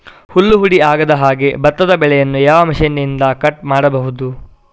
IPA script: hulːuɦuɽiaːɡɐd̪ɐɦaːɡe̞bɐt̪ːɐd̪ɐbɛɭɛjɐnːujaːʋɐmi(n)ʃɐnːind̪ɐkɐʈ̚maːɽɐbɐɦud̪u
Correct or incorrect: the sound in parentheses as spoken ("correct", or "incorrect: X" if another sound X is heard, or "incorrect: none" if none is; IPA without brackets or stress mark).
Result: incorrect: none